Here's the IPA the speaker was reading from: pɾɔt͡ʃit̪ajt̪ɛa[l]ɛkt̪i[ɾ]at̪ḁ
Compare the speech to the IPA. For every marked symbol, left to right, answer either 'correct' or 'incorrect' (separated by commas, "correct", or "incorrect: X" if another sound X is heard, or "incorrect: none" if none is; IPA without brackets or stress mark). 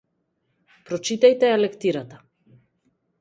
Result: correct, correct